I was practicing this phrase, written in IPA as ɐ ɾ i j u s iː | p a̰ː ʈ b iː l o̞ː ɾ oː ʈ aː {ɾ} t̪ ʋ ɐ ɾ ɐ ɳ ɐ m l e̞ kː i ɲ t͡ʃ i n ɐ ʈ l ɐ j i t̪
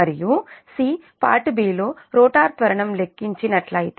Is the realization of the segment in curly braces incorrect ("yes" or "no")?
no